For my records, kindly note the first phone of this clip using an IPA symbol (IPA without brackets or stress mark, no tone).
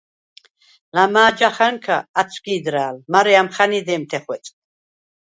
l